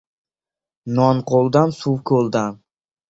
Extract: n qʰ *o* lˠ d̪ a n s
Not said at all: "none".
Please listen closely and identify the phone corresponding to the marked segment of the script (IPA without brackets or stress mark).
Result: o